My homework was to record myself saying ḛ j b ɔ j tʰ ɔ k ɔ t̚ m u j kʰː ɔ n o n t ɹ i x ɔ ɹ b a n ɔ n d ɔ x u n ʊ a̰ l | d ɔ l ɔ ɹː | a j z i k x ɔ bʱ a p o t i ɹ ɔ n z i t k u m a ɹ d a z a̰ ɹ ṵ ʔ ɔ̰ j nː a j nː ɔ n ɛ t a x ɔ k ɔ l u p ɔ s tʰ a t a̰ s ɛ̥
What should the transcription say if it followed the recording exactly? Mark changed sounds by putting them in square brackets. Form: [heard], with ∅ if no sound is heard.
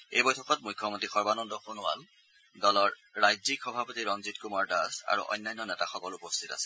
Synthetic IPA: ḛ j b ɔ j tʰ ɔ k ɔ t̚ m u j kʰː ɔ [m] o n t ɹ i x ɔ ɹ b a n ɔ n d ɔ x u n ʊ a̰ l | d ɔ l ɔ ɹː | a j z i k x ɔ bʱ a p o t i ɹ ɔ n z i t k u m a ɹ d a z a̰ ɹ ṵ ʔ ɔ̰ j nː a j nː ɔ n ɛ t a x ɔ k ɔ l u p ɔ s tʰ [i] t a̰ s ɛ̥